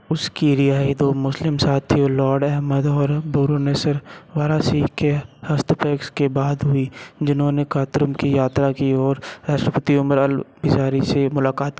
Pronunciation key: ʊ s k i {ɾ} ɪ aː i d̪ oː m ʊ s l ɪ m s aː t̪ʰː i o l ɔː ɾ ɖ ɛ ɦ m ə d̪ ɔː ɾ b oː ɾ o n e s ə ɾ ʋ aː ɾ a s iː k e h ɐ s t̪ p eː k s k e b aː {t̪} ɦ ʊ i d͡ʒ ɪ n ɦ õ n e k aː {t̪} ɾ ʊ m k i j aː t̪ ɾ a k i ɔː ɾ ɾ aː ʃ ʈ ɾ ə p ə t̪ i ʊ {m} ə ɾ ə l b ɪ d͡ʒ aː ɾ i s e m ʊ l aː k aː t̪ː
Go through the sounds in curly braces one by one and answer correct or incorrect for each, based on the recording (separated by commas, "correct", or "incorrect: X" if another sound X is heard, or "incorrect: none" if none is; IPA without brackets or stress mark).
correct, incorrect: d̪, correct, correct